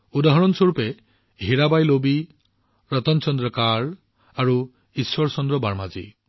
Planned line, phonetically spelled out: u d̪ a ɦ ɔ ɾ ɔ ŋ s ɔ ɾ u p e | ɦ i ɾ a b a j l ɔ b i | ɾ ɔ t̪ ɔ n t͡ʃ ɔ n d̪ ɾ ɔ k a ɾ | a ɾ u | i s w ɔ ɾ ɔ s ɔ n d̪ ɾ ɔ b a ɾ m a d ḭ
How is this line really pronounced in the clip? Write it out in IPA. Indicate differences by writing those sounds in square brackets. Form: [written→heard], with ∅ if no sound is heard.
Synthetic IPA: u d̪ a ɦ ɔ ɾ ɔ [ŋ→n] s ɔ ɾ u p e | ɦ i ɾ a b a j l [ɔ→o] b i | ɾ ɔ t̪ ɔ n t͡ʃ ɔ n d̪ ɾ ɔ k a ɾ | a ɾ u | i s w ɔ ɾ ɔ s ɔ n d̪ ɾ ɔ b a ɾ m a [d→d͡ʒ] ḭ